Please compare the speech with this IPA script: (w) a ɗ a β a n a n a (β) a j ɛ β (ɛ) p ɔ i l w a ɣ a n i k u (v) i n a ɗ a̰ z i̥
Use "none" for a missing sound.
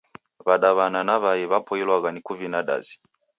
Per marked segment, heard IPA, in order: β, β, a, v

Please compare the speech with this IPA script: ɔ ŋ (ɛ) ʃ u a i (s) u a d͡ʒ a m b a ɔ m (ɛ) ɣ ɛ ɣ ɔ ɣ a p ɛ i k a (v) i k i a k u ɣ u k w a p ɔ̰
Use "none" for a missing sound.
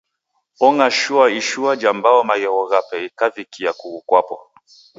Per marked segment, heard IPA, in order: a, ʃ, a, v

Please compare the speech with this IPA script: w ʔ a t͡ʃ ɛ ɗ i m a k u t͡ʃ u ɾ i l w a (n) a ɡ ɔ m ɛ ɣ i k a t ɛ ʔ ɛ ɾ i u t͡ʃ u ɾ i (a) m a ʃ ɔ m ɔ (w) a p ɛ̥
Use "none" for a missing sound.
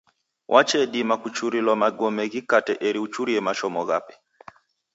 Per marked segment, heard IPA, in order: m, ɛ, ɣ

